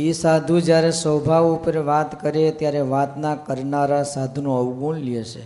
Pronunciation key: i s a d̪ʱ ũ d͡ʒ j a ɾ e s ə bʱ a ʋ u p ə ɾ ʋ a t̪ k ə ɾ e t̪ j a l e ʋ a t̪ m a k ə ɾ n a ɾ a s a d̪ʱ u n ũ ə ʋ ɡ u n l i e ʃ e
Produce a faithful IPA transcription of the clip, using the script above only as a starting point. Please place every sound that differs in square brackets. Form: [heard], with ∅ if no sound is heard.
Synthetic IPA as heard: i s a d̪ʱ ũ d͡ʒ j a ɾ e s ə bʱ a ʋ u p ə ɾ ʋ a t̪ k ə ɾ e t̪ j a [ɾ] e ʋ a t̪ [n] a k ə ɾ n a ɾ a s a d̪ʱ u n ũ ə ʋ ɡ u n l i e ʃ e